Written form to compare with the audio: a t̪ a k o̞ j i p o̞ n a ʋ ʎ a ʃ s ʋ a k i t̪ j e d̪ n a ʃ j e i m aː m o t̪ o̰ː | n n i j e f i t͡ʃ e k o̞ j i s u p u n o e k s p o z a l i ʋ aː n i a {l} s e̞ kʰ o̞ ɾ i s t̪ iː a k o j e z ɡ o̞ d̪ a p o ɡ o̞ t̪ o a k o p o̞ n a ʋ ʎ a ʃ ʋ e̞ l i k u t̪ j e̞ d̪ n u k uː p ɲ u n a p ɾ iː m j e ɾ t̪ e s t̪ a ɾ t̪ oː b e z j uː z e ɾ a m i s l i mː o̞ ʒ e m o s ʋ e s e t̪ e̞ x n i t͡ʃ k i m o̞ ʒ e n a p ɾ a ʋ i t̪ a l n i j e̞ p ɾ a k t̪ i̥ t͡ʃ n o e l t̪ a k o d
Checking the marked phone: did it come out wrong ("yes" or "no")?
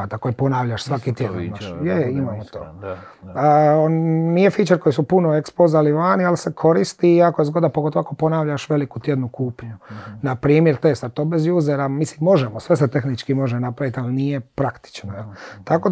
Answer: no